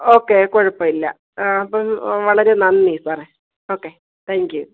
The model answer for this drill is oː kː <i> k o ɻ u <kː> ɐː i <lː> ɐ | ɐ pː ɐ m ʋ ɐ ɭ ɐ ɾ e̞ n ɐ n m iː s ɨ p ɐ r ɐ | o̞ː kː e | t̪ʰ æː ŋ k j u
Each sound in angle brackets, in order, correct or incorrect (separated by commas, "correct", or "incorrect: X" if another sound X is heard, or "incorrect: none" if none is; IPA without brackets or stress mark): incorrect: e, incorrect: pː, correct